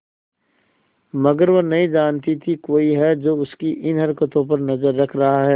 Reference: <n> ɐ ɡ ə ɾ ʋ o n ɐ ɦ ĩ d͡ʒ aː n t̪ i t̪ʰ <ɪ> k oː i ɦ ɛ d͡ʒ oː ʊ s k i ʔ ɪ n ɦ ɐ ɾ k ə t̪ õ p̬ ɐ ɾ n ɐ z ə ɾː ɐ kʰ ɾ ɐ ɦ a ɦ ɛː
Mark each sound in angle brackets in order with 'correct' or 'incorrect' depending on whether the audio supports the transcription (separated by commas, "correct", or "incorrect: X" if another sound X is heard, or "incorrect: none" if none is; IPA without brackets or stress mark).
incorrect: m, incorrect: i